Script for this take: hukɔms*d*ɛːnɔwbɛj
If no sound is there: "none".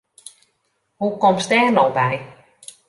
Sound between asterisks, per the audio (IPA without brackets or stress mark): t